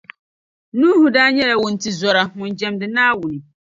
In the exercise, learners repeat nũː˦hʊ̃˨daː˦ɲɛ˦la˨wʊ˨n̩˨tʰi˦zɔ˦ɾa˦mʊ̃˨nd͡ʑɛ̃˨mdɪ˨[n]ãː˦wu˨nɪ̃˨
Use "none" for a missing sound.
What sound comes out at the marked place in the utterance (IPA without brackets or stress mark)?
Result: n